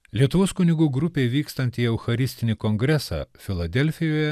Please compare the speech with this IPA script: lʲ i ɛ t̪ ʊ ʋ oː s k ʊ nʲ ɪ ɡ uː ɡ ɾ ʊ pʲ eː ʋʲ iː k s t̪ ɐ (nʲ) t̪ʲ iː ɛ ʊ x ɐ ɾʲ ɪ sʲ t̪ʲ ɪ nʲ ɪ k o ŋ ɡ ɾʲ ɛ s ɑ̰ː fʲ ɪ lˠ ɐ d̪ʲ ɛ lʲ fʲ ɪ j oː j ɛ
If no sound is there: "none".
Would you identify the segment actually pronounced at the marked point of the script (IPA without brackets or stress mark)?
nʲ